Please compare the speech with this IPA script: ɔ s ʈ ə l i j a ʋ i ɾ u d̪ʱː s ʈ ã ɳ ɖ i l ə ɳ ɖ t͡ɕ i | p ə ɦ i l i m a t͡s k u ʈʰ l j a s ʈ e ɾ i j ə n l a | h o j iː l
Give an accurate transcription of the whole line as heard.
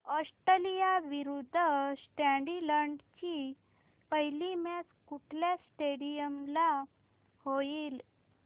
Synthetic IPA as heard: ɔ s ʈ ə l i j a ʋ i ɾ u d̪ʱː s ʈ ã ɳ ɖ i l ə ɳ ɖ t͡ɕ i | p ə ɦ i l i m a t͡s k u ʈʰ l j a s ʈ e ɽ i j ə m l a | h o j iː l